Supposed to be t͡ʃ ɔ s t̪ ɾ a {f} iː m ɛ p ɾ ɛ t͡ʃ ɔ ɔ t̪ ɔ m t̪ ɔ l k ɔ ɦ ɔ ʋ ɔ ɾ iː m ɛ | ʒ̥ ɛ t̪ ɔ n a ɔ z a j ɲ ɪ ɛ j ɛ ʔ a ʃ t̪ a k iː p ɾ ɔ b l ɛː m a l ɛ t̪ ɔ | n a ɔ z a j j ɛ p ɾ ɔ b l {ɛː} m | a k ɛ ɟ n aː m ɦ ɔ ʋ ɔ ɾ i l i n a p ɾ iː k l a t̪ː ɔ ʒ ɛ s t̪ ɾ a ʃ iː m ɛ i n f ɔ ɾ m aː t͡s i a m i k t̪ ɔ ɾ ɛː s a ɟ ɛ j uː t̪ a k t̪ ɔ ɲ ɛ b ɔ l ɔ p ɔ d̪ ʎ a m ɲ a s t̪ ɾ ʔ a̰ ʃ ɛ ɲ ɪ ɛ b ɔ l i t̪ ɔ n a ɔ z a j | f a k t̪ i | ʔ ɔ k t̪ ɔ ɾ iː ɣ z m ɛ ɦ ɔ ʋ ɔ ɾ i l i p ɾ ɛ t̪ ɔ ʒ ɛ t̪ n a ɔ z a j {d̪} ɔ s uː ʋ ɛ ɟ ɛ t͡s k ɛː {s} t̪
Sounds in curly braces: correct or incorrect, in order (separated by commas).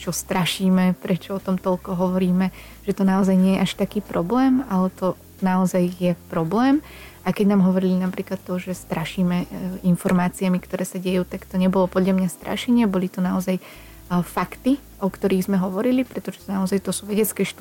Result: incorrect, correct, incorrect, incorrect